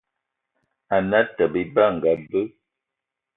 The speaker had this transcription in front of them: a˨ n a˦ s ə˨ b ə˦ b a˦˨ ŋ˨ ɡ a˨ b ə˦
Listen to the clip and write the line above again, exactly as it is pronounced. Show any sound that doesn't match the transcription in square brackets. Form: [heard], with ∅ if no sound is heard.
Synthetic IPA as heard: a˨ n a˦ [t] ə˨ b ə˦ b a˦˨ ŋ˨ ɡ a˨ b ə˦